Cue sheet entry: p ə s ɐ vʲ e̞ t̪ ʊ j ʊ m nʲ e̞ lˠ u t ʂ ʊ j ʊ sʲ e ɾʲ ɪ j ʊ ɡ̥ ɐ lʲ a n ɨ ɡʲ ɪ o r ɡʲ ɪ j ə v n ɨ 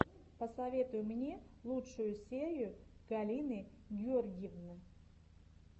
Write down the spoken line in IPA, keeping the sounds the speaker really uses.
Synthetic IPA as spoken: p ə s ɐ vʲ e̞ t̪ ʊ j ʊ m nʲ e̞ lˠ u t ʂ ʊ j ʊ sʲ e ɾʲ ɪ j ʊ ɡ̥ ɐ lʲ i n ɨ ɡʲ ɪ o r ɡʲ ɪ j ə v n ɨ